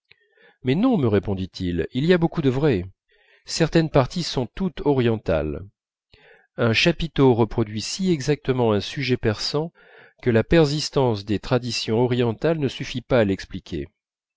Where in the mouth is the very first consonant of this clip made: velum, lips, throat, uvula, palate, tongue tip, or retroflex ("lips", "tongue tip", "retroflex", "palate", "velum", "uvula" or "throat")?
lips